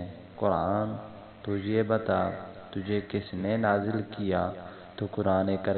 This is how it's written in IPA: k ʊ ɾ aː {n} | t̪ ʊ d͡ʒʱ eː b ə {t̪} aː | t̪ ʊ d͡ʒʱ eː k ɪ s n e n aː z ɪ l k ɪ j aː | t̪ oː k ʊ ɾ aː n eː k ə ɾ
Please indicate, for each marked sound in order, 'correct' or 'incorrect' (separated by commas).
correct, correct